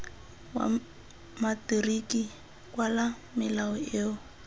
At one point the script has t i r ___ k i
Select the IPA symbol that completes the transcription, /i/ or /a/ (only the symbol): i